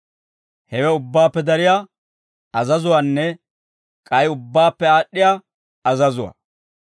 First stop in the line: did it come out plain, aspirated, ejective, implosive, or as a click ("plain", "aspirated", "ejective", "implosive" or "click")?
plain